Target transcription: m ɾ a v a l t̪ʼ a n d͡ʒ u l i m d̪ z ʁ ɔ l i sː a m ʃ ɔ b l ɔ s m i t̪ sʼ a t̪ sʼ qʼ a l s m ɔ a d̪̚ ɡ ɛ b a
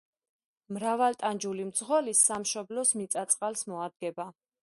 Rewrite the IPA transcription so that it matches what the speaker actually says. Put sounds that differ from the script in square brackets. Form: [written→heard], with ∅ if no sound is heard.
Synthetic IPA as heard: m ɾ a v a l t̪ʼ a n d͡ʒ u l i m d̪ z ʁ ɔ l i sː a m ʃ ɔ b l ɔ s m i t̪ sʼ a t̪ sʼ qʼ a l s m ɔ a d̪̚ ɡ ɛ b a